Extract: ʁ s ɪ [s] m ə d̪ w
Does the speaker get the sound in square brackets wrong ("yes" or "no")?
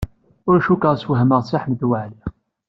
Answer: yes